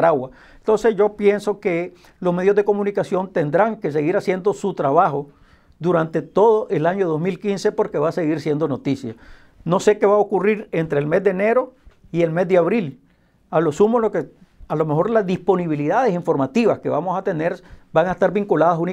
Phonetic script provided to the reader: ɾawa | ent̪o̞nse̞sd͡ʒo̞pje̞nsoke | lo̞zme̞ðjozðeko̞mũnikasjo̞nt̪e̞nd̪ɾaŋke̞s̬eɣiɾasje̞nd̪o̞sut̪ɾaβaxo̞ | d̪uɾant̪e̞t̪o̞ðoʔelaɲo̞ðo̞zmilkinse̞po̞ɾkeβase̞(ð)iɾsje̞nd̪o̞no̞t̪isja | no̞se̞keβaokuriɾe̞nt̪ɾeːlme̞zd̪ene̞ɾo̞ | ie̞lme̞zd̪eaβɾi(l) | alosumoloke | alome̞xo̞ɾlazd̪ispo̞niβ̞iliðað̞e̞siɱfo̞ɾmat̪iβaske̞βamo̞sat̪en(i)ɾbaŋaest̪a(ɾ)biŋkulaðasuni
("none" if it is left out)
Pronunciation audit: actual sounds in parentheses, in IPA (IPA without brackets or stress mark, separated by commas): ɣ, l, e, ɾ